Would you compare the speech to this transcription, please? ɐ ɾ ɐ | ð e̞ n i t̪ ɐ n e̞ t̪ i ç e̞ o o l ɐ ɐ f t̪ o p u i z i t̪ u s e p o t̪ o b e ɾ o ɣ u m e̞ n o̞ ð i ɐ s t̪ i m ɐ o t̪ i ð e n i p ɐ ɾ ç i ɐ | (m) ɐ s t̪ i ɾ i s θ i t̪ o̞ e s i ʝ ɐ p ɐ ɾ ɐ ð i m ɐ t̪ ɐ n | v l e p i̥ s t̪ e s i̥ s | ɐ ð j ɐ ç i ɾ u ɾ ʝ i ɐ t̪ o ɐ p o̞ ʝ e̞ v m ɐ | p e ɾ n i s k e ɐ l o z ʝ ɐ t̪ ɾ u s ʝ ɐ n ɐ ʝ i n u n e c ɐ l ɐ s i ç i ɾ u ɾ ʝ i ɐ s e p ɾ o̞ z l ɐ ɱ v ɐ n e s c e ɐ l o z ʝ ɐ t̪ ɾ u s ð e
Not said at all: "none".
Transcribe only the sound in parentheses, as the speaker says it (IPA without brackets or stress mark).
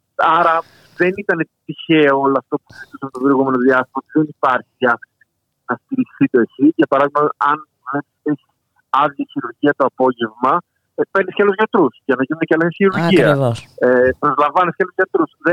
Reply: n